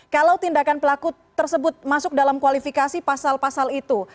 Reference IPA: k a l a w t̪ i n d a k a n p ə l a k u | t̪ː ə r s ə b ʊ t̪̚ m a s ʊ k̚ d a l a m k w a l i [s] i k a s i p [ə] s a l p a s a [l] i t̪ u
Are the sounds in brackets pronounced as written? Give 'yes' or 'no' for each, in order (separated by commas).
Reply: no, no, yes